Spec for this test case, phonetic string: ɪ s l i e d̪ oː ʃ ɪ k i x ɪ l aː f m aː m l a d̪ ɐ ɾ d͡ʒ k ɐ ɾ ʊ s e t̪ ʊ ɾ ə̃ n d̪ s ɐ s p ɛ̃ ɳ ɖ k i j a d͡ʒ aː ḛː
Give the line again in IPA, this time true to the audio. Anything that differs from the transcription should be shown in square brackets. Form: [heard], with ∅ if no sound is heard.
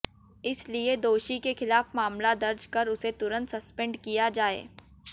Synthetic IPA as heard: ɪ s l i e d̪ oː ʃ [i] k [e] x ɪ l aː f m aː m l a d̪ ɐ ɾ d͡ʒ k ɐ ɾ ʊ s e t̪ ʊ ɾ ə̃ n [t̪] s ɐ s p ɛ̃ ɳ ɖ k i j a d͡ʒ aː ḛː